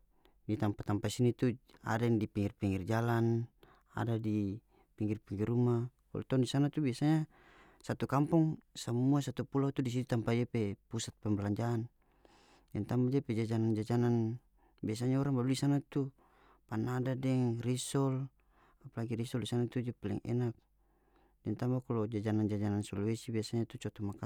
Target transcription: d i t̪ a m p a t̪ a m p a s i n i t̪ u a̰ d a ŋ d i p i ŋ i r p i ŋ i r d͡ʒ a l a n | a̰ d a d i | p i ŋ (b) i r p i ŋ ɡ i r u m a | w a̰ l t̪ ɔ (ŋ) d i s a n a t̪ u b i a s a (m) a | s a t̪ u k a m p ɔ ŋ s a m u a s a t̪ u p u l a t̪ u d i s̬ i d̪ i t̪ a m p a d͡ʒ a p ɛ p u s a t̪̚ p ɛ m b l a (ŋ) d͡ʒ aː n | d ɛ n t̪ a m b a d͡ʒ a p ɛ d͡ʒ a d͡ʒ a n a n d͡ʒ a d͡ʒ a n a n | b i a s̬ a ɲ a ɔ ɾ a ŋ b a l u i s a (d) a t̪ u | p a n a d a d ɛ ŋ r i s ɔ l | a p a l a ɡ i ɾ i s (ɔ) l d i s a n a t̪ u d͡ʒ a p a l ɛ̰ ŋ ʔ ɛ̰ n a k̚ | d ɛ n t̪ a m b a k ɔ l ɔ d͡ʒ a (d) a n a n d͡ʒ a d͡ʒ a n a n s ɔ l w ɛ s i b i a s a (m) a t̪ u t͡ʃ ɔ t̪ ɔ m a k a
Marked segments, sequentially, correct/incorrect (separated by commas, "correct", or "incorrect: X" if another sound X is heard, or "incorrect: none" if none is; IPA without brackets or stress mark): incorrect: ɡ, incorrect: n, incorrect: ɲ, incorrect: ɲ, incorrect: n, correct, incorrect: d͡ʒ, incorrect: ɲ